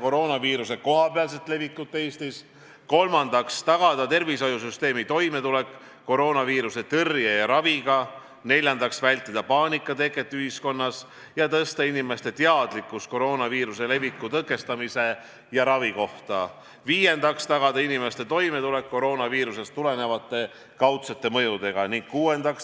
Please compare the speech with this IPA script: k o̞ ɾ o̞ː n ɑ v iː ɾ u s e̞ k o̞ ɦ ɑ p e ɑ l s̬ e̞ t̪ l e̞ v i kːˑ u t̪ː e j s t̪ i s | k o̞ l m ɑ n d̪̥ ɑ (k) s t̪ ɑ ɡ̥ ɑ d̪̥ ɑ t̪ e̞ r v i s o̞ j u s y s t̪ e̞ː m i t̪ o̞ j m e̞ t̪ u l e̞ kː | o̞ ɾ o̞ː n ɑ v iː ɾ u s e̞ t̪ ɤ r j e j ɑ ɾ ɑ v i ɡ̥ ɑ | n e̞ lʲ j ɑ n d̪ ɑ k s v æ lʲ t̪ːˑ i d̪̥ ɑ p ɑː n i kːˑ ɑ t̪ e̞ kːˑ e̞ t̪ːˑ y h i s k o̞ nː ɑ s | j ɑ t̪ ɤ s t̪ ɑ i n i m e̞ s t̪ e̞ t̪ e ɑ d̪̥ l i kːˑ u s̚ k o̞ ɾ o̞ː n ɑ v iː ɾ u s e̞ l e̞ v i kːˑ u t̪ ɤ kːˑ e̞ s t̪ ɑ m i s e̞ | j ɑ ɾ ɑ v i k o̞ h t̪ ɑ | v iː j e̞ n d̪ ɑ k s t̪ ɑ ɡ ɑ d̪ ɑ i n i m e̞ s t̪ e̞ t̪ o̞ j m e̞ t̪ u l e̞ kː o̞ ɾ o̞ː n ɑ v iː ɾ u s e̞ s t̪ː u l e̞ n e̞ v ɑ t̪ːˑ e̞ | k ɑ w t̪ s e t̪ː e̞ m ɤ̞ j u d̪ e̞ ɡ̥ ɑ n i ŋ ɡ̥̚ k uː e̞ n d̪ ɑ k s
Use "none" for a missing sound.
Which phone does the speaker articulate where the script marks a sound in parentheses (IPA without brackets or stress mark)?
k